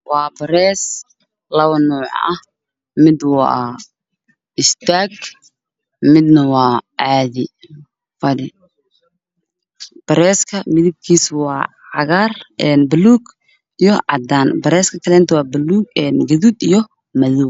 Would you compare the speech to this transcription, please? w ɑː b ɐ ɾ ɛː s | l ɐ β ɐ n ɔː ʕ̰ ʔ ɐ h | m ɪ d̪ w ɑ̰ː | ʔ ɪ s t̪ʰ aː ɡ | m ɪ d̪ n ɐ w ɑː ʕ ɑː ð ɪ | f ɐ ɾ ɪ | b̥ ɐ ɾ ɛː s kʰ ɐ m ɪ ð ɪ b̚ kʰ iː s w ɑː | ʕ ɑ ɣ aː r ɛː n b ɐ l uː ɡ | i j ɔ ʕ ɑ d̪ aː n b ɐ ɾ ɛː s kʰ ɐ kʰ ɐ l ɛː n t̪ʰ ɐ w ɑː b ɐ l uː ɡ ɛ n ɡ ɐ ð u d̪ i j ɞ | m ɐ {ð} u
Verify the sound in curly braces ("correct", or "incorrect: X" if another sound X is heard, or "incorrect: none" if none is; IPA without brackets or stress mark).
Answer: correct